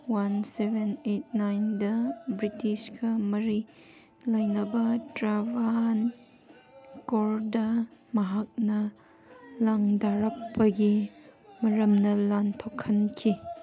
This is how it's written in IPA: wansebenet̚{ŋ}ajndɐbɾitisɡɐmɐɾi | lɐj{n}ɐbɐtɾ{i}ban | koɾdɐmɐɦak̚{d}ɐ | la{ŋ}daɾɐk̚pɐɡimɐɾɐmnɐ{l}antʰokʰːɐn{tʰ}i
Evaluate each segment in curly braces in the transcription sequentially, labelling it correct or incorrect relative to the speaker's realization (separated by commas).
incorrect, correct, incorrect, incorrect, correct, correct, incorrect